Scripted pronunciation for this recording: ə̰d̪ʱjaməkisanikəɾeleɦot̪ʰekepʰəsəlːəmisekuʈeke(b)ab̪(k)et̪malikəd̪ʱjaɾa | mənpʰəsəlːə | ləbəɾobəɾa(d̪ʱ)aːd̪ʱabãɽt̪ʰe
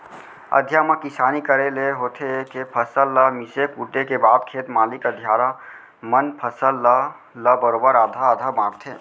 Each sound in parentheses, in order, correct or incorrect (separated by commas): correct, incorrect, correct